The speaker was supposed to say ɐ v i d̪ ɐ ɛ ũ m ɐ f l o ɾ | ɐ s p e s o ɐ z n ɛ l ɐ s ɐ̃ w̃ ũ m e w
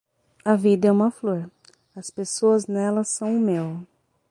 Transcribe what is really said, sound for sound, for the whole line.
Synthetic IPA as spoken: ɐ v i d̪ ɐ ɛ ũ m ɐ f l o ɾ | ɐ s p e s o ɐ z n ɛ l ɐ s ɐ̃ w̃ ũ m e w

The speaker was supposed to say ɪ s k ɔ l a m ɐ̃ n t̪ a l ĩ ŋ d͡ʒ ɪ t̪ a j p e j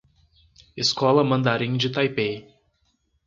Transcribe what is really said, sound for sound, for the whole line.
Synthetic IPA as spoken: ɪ s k ɔ l ɐ m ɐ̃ n d̪ a ɾ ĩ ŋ d͡ʒ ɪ t̪ a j p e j

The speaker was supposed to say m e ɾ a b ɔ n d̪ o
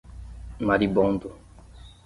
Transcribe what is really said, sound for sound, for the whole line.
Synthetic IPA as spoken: m a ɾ i b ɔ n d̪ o

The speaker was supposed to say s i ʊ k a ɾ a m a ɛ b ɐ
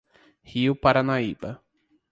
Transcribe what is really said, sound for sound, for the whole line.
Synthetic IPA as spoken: h i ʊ p a ɾ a n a i b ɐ

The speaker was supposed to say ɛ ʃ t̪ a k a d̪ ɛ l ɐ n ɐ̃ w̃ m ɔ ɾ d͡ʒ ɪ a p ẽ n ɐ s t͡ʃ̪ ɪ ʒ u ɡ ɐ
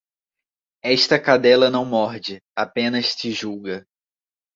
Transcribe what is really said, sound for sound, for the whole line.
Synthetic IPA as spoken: ɛ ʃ t̪ ɐ k a d̪ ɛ l ɐ n ɐ̃ w̃ m ɔ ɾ d͡ʒ ɪ a p ẽ n ɐ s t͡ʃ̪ ɪ ʒ u ɡ ɐ

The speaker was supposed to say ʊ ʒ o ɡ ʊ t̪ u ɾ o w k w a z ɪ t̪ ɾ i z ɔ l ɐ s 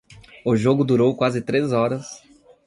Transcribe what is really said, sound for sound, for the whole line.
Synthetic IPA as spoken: ʊ ʒ o ɡ ʊ d̪ u ɾ o w k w a z ɪ t̪ ɾ e z ɔ ɾ ɐ s

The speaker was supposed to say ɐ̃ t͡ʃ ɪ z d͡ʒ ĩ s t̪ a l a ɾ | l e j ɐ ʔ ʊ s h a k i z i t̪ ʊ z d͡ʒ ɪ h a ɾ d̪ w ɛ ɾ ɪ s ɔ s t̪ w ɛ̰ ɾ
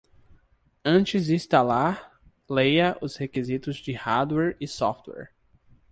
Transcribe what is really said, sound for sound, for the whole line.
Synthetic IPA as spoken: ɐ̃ t͡ʃ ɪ z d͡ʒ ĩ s t̪ a l a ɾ | l e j ɐ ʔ ʊ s h e k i z i t̪ ʊ z d͡ʒ ɪ h a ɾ d̪ w ɛ ɾ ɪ s ɔ f t̪ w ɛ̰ ɾ

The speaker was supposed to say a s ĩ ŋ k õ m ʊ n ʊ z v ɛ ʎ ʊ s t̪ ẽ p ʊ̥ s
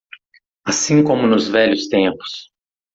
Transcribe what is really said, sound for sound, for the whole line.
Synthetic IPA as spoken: a s ĩ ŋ k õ m ʊ n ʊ z v ɛ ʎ ʊ s t̪ ẽ p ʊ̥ s

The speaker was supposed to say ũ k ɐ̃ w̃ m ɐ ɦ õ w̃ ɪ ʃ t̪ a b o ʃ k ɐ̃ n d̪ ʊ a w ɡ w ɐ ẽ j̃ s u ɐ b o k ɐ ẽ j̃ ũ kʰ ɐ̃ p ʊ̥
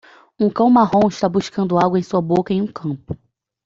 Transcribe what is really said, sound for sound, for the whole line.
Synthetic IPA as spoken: ũ k ɐ̃ w̃ m a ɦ õ w̃ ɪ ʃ t̪ a b u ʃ k ɐ̃ n d̪ ʊ a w ɡ w ɐ ẽ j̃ s u ɐ b o k ɐ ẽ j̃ ũ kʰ ɐ̃ p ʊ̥

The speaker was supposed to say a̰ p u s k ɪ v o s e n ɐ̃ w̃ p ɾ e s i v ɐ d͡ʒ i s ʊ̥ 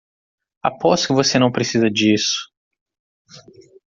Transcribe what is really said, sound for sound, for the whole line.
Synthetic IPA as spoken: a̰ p ɔ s k ɪ v o s e n ɐ̃ w̃ p ɾ e s i z ɐ d͡ʒ i s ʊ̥

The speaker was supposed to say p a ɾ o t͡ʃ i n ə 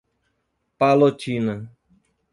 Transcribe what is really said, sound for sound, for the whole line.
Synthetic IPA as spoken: p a l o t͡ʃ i n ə

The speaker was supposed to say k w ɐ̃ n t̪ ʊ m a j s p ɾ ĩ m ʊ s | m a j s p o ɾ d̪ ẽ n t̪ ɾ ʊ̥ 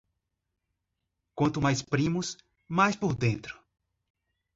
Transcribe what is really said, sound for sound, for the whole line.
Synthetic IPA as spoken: k w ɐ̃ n t̪ ʊ m a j s p ɾ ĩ m ʊ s | m a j s p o ɾ d̪ ẽ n t̪ ɾ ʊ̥

